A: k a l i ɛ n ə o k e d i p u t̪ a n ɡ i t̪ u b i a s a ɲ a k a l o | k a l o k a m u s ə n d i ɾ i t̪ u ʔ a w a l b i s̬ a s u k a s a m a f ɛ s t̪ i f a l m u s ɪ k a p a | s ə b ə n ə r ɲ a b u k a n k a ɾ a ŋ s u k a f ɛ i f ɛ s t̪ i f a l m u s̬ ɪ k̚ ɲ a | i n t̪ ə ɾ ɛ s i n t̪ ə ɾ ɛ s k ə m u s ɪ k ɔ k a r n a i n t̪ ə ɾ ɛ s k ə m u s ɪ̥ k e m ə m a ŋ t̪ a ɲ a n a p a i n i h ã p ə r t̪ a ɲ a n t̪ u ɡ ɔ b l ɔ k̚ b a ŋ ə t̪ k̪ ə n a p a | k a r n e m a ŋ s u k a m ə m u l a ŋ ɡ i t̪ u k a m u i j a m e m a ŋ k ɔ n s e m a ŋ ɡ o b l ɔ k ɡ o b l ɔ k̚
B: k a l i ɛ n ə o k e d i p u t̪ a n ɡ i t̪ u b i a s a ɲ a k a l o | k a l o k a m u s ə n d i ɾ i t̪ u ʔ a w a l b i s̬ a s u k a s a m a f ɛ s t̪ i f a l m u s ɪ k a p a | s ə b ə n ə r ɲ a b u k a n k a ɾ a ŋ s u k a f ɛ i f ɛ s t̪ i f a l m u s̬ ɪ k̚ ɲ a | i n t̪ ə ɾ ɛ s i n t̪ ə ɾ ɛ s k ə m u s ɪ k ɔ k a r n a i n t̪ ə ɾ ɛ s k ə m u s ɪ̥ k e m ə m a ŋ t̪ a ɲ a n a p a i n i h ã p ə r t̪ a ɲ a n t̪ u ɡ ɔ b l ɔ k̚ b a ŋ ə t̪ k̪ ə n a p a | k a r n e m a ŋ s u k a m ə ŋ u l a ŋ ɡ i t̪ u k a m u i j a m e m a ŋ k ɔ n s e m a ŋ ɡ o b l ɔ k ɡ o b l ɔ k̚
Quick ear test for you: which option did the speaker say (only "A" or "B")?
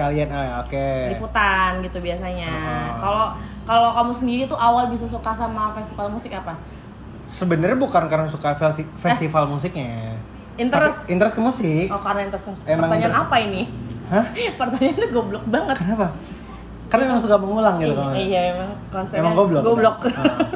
B